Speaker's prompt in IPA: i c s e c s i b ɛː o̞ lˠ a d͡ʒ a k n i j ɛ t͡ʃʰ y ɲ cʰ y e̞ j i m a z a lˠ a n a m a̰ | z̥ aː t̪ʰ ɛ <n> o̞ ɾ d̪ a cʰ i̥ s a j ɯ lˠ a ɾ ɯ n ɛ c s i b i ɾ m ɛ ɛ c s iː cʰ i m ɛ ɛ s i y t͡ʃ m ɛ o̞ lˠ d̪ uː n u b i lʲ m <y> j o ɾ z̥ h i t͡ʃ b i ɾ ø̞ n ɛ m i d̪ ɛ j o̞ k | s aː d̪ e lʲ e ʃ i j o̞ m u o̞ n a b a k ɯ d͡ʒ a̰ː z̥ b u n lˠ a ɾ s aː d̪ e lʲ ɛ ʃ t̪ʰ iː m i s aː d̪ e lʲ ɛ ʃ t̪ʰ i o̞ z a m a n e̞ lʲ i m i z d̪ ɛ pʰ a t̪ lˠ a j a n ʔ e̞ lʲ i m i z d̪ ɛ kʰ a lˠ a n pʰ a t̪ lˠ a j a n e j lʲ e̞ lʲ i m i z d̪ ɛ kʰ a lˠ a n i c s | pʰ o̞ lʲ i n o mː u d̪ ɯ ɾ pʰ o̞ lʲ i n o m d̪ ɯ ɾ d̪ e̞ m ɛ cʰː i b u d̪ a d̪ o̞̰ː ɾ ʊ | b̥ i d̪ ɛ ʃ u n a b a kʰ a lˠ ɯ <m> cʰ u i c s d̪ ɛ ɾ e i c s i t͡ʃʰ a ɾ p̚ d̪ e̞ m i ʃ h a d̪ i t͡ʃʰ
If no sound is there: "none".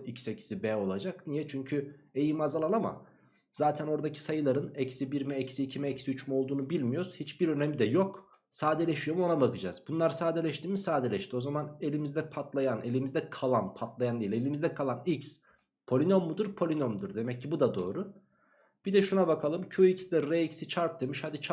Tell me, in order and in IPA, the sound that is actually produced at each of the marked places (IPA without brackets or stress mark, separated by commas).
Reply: n, i, m